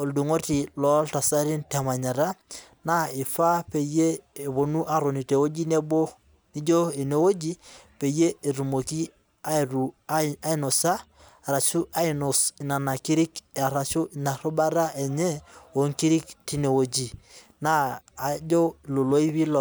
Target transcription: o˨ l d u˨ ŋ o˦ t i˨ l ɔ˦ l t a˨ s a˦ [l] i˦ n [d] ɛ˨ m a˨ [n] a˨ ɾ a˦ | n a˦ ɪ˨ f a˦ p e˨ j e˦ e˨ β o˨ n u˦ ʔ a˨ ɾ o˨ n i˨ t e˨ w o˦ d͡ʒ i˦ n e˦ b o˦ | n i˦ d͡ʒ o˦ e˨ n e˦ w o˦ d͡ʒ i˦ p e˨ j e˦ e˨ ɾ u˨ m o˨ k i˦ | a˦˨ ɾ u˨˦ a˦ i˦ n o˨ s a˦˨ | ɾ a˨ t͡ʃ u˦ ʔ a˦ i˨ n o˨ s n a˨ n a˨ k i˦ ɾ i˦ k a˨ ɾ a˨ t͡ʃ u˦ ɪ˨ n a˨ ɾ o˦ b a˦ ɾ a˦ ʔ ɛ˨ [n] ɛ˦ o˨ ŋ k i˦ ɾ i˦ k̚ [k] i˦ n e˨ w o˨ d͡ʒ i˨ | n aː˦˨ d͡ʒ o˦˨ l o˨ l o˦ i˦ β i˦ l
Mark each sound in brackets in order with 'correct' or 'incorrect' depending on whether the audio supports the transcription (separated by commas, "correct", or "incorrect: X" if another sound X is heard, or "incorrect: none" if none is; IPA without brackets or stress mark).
incorrect: ɾ, incorrect: t, incorrect: ɲ, incorrect: ɲ, incorrect: t